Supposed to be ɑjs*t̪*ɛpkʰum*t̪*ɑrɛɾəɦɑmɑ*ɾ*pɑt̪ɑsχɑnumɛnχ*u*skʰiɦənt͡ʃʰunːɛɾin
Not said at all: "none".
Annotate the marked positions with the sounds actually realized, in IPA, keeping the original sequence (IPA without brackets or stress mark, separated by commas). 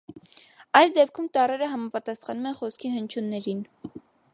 d̪, t̪, none, ɔ